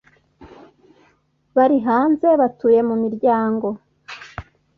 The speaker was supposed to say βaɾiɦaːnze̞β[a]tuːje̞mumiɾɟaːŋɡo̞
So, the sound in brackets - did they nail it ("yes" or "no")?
yes